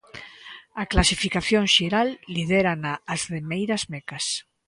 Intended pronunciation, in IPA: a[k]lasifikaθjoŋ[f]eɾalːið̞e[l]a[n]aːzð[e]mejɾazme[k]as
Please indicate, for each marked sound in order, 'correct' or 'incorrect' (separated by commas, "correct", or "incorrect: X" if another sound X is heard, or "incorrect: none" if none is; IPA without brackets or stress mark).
correct, incorrect: ʃ, incorrect: ɾ, correct, correct, correct